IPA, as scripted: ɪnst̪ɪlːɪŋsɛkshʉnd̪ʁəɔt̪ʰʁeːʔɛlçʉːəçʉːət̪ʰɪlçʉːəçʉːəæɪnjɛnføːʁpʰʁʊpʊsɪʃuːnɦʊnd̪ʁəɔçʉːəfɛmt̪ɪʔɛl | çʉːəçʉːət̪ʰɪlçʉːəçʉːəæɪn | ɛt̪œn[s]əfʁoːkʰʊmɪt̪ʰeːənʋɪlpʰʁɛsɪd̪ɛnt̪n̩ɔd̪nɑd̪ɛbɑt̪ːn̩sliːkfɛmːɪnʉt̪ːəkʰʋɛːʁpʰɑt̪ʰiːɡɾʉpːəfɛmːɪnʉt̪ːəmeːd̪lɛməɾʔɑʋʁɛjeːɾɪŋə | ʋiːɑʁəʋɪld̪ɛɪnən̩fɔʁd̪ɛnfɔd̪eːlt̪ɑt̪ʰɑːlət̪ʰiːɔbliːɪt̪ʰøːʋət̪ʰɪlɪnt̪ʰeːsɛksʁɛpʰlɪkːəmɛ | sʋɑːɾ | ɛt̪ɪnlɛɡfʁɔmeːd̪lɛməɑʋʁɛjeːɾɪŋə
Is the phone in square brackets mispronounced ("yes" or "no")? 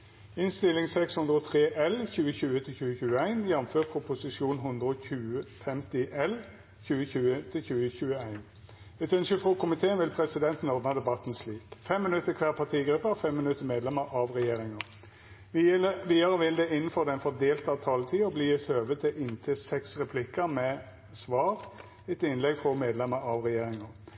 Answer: no